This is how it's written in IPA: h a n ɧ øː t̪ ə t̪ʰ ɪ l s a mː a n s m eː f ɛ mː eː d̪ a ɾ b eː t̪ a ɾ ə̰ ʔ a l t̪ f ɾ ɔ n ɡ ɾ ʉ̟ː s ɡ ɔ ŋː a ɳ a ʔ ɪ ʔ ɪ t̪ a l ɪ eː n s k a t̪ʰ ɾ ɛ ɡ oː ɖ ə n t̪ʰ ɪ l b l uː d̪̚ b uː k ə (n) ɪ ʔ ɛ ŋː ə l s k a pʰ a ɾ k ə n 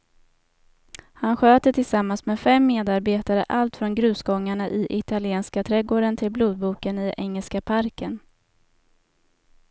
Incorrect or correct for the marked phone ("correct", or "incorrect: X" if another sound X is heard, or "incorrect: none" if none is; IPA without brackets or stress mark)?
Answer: correct